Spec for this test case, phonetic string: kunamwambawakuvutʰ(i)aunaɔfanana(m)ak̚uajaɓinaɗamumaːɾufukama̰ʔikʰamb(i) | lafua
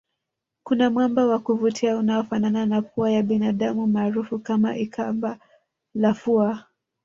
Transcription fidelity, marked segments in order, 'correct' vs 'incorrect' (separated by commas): correct, incorrect, incorrect